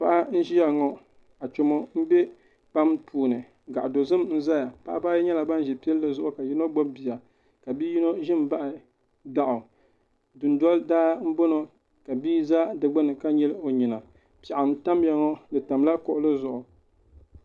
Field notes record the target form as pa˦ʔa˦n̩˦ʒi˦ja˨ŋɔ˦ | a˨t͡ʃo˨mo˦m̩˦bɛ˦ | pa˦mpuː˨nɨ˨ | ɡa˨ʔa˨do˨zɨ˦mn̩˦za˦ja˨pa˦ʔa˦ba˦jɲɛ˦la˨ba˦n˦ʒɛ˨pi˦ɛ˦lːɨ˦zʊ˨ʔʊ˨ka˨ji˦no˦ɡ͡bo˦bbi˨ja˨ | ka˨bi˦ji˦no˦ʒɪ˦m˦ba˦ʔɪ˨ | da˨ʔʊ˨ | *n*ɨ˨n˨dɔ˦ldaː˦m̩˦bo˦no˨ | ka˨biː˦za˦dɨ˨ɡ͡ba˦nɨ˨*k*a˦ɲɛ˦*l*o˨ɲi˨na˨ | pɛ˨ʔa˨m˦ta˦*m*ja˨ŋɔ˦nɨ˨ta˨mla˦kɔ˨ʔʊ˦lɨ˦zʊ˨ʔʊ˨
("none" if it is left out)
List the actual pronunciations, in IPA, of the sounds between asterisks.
d, k, l, m

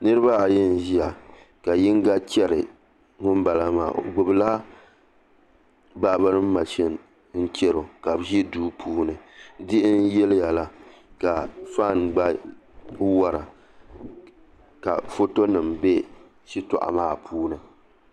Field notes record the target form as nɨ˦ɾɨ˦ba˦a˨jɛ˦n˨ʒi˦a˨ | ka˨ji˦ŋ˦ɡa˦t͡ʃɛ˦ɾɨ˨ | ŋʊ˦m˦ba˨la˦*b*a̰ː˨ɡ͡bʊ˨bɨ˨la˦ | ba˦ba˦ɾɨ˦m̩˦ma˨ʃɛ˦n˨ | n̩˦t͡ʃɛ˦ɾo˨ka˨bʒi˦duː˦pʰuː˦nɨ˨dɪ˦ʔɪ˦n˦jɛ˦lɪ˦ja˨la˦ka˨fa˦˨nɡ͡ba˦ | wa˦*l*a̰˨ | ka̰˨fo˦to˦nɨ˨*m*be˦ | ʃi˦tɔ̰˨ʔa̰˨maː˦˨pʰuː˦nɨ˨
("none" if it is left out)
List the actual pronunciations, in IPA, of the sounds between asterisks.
m, ɾ, m

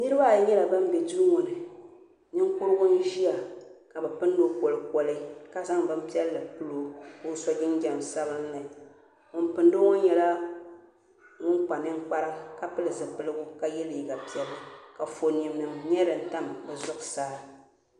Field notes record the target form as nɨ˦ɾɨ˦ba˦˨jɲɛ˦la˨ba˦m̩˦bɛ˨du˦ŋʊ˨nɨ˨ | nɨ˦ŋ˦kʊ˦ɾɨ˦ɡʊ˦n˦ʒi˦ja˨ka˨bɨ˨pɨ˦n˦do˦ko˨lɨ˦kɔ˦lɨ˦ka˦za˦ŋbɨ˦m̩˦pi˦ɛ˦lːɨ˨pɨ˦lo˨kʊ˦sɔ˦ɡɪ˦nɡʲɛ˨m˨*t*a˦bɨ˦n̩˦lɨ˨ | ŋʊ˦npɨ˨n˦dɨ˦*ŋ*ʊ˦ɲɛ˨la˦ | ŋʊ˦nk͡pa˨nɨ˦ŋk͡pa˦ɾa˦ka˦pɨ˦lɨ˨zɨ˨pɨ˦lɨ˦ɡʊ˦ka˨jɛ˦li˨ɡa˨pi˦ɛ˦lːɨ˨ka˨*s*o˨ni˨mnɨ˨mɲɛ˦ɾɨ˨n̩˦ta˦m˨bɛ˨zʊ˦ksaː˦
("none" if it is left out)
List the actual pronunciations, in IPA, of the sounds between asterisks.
s, ŋ, f

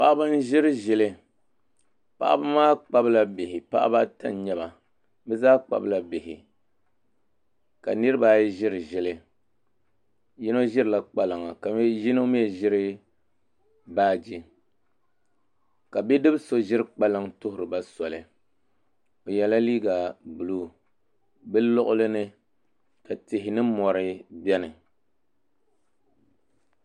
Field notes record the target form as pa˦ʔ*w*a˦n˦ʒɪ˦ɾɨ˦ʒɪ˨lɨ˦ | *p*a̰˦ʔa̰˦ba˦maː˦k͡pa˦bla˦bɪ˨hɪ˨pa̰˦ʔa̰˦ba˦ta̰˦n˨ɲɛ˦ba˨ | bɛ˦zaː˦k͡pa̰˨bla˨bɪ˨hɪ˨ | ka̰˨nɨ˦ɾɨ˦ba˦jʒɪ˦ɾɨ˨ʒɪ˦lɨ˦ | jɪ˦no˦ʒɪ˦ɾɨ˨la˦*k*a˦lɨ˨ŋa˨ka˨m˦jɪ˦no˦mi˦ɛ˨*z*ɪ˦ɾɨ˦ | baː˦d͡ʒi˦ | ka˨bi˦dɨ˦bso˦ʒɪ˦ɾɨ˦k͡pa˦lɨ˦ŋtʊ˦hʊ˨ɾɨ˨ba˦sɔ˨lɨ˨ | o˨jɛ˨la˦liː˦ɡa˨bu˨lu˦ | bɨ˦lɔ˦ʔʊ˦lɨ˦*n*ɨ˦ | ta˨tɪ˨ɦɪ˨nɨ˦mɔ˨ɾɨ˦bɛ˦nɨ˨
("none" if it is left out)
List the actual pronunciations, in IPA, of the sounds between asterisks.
b, p, k͡p, ʒ, n

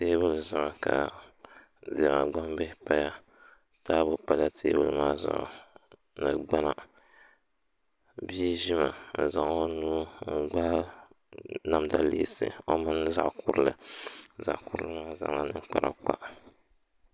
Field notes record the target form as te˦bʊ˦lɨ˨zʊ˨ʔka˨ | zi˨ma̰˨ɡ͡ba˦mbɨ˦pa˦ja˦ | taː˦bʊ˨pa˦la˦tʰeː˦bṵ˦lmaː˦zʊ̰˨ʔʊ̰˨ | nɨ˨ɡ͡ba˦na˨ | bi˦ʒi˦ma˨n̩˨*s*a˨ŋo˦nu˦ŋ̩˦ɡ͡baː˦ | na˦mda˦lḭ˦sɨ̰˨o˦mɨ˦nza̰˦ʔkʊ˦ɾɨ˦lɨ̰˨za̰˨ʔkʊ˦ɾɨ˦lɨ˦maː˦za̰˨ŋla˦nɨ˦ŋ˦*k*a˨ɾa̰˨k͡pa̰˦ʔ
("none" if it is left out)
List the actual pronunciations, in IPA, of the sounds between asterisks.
z, k͡p

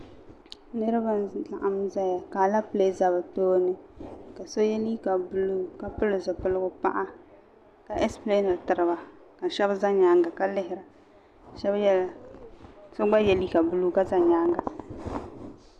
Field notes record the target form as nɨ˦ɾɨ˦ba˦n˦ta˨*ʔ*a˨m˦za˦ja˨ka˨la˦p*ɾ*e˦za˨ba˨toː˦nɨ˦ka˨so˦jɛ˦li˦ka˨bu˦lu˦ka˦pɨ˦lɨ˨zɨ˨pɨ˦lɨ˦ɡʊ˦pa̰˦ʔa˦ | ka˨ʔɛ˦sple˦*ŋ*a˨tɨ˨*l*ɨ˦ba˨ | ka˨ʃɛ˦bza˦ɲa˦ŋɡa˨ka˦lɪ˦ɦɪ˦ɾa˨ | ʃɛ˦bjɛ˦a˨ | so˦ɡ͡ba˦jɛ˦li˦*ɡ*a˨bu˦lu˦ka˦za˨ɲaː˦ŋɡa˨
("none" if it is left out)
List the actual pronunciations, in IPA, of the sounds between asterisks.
ʔ, l, n, ɾ, k

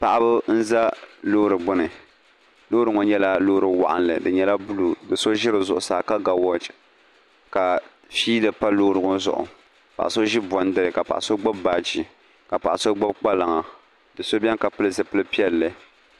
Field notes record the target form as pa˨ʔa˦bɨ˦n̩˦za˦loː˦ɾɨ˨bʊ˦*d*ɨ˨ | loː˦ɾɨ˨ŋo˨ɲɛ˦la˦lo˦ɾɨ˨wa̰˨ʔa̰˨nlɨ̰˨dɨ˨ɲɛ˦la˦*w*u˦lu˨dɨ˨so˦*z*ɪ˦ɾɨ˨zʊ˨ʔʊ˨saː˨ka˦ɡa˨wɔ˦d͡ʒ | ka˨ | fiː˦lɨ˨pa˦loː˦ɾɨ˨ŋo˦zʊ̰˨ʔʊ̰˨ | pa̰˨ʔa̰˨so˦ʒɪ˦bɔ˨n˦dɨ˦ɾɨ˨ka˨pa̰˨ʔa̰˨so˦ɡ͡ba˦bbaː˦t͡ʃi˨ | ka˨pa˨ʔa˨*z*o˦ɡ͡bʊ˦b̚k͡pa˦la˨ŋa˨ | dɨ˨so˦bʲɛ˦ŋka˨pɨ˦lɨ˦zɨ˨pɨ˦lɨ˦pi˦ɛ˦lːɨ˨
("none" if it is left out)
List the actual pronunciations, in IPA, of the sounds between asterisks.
n, b, ʒ, s

